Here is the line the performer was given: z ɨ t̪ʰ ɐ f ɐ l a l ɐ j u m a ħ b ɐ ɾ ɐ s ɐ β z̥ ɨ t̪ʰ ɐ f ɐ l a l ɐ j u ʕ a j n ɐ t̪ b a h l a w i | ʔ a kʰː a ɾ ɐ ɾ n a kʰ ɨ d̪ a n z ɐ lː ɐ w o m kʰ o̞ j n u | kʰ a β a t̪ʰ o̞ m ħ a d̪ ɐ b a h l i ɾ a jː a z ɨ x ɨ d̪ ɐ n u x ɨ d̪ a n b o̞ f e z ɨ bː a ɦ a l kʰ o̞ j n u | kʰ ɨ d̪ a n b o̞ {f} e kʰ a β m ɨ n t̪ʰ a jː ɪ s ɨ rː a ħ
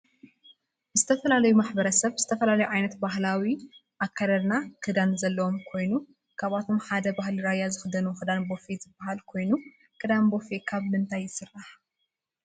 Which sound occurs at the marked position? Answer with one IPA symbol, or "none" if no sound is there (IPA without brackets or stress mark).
f